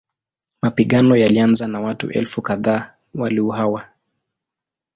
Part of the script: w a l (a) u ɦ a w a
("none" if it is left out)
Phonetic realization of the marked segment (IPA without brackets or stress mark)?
i